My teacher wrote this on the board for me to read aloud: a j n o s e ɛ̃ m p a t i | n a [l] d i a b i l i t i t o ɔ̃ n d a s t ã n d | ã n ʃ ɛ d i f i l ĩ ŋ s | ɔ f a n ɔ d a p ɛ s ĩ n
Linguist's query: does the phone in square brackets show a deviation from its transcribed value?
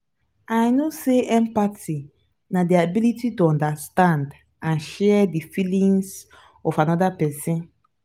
yes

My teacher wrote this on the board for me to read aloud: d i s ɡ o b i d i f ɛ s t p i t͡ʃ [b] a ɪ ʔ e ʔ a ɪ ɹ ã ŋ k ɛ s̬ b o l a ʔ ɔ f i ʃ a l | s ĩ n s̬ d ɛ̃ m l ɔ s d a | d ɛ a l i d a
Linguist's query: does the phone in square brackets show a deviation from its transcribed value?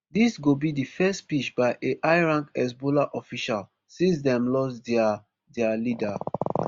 no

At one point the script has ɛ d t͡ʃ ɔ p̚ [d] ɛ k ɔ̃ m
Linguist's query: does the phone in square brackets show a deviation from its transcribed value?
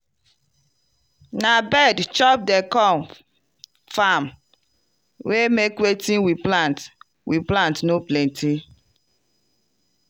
no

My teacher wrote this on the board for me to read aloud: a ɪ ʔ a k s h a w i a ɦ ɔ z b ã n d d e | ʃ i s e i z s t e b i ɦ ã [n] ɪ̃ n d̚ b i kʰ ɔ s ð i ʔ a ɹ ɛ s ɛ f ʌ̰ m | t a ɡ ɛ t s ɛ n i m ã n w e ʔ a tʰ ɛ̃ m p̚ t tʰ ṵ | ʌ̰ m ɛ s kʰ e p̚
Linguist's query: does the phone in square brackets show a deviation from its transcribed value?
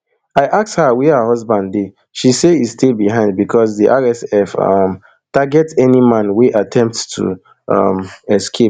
yes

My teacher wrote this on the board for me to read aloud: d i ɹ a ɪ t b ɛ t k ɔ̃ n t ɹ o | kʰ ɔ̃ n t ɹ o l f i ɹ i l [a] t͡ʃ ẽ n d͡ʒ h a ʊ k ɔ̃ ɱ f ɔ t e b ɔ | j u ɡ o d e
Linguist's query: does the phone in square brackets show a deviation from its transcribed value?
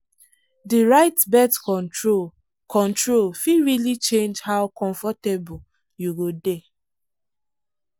yes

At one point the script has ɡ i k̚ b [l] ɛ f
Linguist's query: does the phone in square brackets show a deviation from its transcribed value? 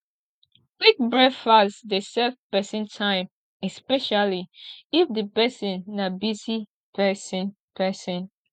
yes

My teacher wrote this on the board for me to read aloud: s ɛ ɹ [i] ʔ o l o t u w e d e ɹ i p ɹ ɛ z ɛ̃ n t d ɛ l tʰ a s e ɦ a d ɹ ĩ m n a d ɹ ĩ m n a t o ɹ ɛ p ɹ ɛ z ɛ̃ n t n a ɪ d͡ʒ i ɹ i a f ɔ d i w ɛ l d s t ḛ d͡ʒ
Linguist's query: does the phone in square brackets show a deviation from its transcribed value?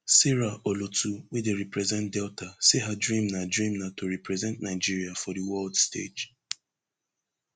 yes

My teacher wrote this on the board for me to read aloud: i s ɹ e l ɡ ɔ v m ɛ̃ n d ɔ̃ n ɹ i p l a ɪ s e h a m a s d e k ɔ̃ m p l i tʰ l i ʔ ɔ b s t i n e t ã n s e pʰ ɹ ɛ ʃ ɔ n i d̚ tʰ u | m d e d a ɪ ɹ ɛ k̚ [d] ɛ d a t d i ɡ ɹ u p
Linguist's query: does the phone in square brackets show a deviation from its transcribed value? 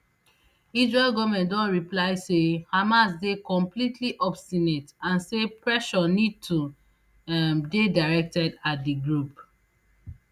yes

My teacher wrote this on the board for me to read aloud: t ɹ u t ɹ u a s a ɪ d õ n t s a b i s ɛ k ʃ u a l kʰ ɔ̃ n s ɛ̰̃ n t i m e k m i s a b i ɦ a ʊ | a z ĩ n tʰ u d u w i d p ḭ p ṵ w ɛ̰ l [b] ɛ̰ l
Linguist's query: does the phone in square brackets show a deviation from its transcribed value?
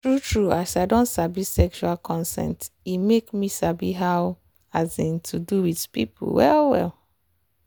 yes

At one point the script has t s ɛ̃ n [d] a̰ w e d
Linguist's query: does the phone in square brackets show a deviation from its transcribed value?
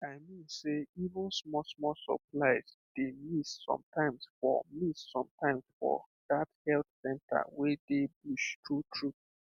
yes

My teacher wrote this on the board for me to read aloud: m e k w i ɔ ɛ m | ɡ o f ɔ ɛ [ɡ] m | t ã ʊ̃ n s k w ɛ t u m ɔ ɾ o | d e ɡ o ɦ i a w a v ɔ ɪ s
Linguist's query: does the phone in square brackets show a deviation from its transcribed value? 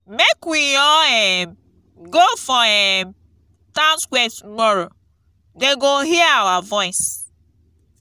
yes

